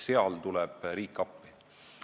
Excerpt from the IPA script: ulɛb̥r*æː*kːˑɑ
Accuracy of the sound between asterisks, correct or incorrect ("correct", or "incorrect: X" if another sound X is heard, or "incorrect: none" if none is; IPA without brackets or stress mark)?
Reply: incorrect: iː